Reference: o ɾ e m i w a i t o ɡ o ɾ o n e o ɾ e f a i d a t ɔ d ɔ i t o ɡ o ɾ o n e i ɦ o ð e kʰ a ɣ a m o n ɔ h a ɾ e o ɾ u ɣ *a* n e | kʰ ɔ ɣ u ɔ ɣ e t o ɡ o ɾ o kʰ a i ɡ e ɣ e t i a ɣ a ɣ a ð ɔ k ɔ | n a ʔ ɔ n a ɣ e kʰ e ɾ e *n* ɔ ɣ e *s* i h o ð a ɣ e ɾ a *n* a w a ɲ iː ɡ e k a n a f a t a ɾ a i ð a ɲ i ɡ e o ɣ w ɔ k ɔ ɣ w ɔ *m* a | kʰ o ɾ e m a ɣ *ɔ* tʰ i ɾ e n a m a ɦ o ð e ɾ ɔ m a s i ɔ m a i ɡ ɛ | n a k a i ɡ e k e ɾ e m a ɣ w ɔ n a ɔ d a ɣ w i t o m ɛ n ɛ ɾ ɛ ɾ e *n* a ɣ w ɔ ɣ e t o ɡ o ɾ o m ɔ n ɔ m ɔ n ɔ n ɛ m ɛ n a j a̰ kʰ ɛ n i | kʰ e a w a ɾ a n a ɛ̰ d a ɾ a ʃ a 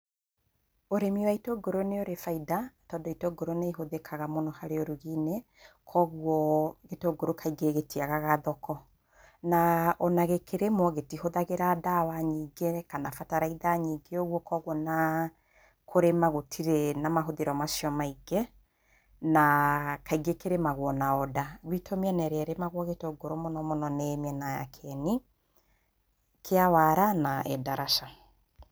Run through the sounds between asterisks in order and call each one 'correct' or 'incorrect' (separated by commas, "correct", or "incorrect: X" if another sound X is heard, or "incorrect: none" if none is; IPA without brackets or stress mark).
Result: incorrect: i, incorrect: m, incorrect: t, incorrect: d, incorrect: n, incorrect: o, incorrect: m